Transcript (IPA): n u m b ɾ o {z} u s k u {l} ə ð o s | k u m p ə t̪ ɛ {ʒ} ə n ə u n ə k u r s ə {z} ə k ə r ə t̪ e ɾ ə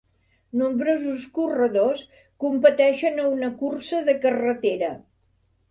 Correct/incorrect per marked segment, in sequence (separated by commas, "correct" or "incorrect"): correct, incorrect, incorrect, incorrect